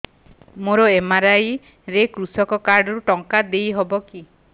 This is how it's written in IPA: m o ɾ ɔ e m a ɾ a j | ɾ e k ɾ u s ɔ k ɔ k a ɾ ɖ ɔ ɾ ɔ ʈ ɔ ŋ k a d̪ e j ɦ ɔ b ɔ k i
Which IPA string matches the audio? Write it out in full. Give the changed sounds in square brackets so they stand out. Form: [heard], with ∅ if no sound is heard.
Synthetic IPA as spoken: m o ɾ ɔ e m a ɾ a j | ɾ e k ɾ u s ɔ k ɔ k a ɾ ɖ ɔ ɾ [u] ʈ ɔ ŋ k a d̪ e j ɦ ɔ b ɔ k i